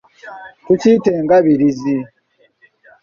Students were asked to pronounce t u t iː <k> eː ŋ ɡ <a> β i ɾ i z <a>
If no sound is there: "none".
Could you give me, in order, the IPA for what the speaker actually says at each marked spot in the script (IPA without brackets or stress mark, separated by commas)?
t, a, i